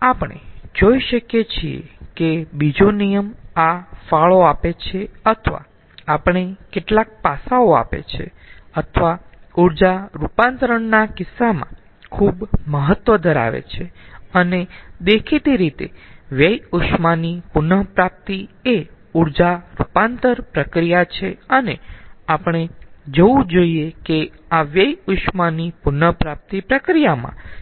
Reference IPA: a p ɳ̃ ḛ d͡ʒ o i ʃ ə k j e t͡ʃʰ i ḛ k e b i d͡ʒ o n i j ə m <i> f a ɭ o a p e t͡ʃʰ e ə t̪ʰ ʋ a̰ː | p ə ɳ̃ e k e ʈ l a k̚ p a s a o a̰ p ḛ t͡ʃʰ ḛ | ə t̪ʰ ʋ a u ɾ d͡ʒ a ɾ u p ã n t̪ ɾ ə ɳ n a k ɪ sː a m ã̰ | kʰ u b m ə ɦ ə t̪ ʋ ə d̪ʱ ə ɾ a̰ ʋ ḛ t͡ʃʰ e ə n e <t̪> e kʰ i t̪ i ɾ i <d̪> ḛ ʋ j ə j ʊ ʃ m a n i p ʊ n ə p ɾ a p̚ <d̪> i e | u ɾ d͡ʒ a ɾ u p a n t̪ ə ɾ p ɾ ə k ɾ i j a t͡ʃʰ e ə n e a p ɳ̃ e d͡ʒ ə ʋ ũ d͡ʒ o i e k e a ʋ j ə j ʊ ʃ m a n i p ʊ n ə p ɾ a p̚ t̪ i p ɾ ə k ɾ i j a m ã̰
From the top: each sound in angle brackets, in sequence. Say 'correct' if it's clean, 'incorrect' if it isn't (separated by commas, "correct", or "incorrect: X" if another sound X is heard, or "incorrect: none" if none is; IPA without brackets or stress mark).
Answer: incorrect: a, incorrect: d̪, incorrect: t̪, incorrect: t̪